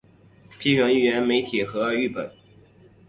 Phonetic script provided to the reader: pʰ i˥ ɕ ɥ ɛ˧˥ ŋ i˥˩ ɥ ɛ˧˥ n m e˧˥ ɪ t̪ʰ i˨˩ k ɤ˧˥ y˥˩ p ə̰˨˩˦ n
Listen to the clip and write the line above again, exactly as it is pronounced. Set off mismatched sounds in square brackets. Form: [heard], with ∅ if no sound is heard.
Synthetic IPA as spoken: pʰ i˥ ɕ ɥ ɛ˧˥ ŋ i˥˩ ɥ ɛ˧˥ n m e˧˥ ɪ t̪ʰ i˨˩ [x] ɤ˧˥ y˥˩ p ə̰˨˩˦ n